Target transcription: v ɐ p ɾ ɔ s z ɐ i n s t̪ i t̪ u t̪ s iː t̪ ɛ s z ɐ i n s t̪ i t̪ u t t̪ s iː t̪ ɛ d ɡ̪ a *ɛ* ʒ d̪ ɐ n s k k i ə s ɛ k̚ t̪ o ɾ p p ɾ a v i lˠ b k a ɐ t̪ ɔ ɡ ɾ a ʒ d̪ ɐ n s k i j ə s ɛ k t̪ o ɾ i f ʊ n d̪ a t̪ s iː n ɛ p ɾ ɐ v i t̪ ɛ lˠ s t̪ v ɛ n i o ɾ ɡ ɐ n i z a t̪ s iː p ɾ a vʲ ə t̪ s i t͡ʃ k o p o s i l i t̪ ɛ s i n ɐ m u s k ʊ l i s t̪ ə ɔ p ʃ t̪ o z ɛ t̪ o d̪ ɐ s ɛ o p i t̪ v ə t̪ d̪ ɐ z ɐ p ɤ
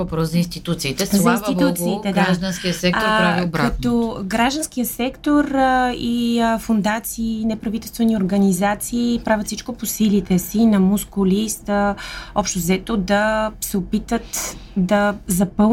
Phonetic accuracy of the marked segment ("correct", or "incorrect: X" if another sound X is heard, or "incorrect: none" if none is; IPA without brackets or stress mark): incorrect: a